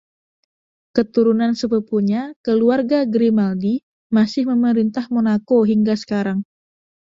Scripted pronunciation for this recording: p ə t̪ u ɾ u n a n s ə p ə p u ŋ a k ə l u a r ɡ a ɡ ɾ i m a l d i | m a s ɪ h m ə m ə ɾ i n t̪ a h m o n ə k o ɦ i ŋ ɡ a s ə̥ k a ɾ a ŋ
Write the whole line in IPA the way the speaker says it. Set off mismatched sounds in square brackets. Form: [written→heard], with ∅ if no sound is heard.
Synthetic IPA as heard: [p→k] ə t̪ u ɾ u n a n s ə p ə p u [ŋ→ɲ] a k ə l u a r ɡ a ɡ ɾ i m a l d i | m a s ɪ h m ə m ə ɾ i n t̪ a h m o n [ə→a] k o ɦ i ŋ ɡ a s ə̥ k a ɾ a ŋ

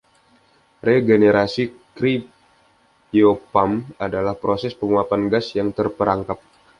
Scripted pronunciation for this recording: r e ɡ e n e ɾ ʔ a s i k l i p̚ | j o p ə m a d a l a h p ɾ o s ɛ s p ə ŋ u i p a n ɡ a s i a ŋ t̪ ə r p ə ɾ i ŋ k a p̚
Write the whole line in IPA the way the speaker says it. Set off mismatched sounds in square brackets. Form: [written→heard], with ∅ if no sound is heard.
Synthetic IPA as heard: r e ɡ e n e ɾ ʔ a s i k [l→ɾ] i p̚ | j o p [ə→a] m a d a l a h p ɾ o s ɛ s p ə ŋ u [i→a] p a n ɡ a s [i→j] a ŋ t̪ ə r p ə ɾ [i→a] ŋ k a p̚

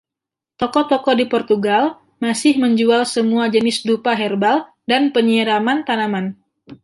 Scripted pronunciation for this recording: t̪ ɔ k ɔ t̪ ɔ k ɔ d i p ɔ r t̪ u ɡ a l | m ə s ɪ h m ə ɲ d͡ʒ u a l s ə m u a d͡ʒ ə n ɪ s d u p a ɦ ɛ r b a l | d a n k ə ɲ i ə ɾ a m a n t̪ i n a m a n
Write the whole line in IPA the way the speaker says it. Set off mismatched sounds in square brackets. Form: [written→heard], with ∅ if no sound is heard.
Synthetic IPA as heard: t̪ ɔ k ɔ t̪ ɔ k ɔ d i p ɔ r t̪ u ɡ a l | m [ə→a] s ɪ h m ə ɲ d͡ʒ u a l s ə m u a d͡ʒ ə n ɪ s d u p a ɦ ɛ r b a l | d a n [k→p] ə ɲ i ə ɾ a m a n t̪ [i→a] n a m a n

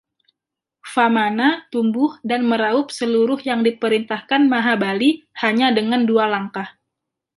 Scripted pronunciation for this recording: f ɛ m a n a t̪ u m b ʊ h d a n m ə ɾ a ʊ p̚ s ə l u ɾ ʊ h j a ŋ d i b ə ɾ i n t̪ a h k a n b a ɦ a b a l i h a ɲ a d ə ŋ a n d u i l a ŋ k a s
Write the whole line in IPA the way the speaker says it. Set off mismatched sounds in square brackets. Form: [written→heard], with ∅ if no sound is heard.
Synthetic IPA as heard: f [ɛ→a] m a n a t̪ u m b ʊ h d a n m ə ɾ a ʊ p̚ s ə l u ɾ ʊ h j a ŋ d i [b→p] ə ɾ i n t̪ a h k a n [b→m] a ɦ a b a l i h a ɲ a d ə ŋ a n d u [i→a] l a ŋ k a [s→h]

